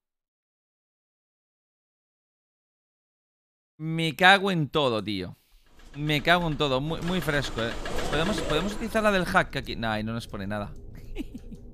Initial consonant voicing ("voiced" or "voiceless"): voiced